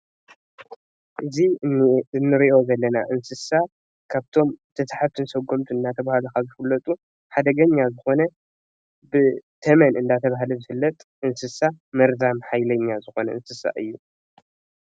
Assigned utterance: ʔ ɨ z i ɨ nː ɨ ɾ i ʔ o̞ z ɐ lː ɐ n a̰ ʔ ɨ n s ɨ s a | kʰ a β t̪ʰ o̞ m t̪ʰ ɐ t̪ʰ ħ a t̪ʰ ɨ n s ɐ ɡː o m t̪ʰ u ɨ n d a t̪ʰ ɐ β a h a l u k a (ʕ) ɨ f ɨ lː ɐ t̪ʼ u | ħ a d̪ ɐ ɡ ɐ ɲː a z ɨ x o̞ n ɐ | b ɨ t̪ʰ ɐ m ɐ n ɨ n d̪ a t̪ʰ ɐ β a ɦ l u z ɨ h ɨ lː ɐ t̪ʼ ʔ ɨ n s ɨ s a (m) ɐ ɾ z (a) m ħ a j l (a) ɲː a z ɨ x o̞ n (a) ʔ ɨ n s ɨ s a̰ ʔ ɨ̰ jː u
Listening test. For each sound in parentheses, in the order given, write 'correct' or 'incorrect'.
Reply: incorrect: z, correct, correct, incorrect: ɐ, incorrect: ɐ

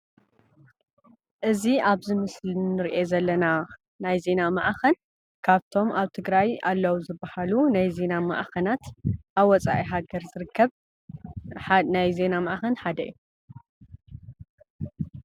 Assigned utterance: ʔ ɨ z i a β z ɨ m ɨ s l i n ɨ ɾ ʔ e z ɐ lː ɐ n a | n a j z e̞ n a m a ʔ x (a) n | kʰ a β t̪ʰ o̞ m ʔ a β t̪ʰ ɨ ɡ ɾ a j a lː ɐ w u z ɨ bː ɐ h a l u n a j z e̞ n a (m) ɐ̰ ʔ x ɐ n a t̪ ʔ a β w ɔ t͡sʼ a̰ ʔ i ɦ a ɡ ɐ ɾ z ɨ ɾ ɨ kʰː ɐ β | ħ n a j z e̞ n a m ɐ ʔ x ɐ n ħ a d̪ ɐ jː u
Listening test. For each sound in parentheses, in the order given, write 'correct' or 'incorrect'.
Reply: incorrect: ɐ, correct

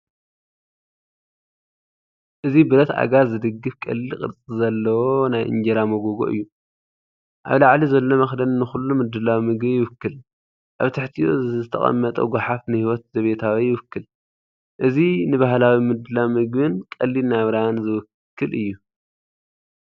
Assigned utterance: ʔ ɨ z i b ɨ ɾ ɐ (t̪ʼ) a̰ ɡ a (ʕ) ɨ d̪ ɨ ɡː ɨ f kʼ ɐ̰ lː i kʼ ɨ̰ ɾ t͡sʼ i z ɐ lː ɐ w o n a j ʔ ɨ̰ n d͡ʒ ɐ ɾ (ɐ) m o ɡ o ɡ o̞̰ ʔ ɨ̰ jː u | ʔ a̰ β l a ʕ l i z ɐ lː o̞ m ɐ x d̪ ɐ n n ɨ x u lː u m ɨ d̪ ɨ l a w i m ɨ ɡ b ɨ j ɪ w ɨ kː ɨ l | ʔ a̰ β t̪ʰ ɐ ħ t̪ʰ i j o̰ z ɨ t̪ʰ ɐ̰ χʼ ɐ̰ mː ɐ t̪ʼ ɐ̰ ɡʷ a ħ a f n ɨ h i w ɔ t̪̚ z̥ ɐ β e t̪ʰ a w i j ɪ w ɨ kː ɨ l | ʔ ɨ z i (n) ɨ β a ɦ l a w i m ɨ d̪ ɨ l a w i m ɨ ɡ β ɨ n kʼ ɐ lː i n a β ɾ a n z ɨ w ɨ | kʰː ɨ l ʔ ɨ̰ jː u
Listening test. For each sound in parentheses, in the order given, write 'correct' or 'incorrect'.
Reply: incorrect: t̪, incorrect: z, incorrect: a, correct

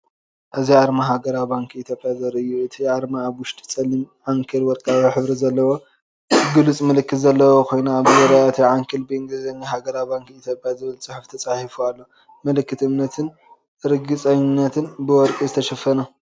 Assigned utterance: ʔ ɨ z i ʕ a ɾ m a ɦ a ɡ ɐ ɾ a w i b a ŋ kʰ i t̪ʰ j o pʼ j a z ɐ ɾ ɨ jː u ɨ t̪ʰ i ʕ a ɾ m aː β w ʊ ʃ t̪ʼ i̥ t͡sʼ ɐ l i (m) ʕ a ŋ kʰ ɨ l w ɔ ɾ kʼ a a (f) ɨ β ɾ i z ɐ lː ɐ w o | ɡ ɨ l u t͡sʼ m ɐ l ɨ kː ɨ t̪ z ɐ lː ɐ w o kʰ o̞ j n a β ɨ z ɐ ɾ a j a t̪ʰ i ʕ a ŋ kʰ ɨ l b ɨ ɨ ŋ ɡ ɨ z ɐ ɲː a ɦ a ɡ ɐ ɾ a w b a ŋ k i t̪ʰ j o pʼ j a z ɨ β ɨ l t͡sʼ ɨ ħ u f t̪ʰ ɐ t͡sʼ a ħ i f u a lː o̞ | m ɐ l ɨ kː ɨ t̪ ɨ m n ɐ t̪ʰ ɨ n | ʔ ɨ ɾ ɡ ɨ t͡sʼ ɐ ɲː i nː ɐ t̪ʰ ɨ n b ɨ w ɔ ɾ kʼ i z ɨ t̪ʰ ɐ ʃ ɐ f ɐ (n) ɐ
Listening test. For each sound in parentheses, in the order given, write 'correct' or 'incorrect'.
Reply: correct, incorrect: ħ, correct

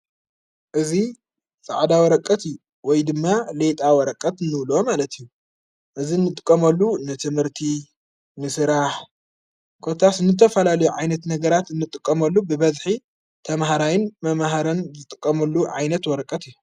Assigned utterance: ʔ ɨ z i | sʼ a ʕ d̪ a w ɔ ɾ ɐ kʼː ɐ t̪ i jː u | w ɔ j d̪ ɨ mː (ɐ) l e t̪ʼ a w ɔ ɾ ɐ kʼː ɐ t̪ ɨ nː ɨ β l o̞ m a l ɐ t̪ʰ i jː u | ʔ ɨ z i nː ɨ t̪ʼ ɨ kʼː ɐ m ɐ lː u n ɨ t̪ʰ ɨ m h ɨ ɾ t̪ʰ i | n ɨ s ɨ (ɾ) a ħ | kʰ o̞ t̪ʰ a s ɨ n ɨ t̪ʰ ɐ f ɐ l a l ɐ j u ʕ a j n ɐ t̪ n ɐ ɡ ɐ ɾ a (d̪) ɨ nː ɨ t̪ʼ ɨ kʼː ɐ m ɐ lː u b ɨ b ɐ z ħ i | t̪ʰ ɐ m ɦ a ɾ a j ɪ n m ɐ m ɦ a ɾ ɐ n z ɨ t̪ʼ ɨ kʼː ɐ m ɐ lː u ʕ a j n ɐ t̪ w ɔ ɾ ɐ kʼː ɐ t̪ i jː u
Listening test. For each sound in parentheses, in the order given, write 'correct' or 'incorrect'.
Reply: incorrect: a, correct, incorrect: t̪

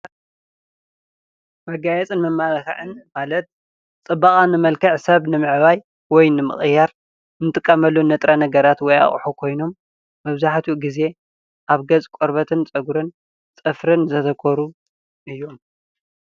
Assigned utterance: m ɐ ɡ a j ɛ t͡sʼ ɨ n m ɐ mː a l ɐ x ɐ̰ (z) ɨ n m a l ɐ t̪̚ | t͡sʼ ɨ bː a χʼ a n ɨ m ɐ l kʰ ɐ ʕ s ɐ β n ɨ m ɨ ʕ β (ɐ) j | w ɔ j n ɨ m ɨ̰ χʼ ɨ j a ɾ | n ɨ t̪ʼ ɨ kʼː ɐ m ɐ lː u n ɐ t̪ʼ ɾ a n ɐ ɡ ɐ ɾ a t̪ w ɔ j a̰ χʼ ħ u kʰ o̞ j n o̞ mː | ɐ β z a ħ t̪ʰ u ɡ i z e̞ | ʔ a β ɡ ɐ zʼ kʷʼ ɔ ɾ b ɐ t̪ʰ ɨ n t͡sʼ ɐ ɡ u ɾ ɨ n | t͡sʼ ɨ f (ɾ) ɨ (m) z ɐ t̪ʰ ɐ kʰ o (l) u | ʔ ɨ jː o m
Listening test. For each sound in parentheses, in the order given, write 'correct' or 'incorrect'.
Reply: incorrect: ʕ, incorrect: a, correct, incorrect: n, incorrect: ɾ

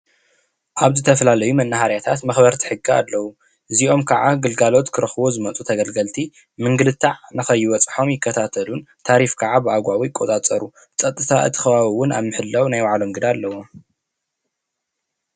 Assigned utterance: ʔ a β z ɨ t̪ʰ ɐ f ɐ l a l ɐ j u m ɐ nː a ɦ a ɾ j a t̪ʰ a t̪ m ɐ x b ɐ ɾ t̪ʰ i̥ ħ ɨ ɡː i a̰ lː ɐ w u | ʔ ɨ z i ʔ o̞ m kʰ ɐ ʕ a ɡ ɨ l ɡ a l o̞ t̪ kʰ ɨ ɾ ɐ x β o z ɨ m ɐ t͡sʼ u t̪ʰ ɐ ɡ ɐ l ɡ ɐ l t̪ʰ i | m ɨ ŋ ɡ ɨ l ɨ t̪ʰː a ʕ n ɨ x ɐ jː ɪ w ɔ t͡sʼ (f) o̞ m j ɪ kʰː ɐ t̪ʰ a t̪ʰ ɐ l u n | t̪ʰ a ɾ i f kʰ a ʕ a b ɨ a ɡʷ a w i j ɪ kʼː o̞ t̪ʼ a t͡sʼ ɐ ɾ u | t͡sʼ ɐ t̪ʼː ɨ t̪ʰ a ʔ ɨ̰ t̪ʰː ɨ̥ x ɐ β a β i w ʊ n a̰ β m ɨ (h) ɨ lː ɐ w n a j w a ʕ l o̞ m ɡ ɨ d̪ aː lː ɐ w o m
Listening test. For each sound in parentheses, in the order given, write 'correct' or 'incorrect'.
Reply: incorrect: ħ, incorrect: ħ

